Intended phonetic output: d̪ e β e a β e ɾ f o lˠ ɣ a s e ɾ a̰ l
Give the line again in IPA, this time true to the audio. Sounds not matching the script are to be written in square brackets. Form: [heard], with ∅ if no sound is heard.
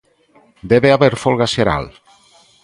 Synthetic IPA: d̪ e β e a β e ɾ f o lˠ ɣ a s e ɾ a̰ l